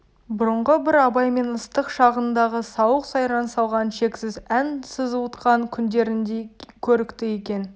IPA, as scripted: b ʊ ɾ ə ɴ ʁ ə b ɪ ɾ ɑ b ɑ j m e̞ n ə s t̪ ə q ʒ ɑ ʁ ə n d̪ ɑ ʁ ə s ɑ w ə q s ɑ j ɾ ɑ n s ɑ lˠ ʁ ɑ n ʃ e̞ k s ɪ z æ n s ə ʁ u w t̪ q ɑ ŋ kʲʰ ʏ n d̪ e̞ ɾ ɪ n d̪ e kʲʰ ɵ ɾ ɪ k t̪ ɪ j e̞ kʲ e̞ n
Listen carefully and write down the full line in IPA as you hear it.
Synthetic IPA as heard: b ʊ ɾ ə ɴ ʁ ə b ɪ ɾ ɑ b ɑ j m e̞ n ə s t̪ ə q ʃ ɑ ʁ ə n d̪ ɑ ʁ ə s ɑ w ə q s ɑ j ɾ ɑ n s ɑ lˠ ʁ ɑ n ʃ e̞ k s ɪ z æ n s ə z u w t̪ q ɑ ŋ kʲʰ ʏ n d̪ e̞ ɾ ɪ n d̪ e kʲʰ ɵ ɾ ɪ k t̪ ɪ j e̞ kʲ e̞ n